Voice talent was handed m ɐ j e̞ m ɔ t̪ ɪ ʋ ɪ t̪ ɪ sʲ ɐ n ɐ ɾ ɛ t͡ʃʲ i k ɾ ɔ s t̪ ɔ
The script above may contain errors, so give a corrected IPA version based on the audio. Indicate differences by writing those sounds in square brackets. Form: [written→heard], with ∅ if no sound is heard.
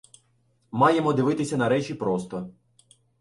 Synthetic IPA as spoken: m [ɐ→ɑ] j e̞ m ɔ [t̪→d̪] ɪ ʋ ɪ t̪ ɪ sʲ ɐ n ɐ ɾ ɛ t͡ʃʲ i [k→p] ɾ ɔ s t̪ ɔ